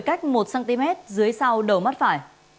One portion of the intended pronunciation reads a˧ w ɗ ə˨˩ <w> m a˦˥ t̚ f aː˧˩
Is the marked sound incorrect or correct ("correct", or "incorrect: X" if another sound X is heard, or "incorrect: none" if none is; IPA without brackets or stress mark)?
correct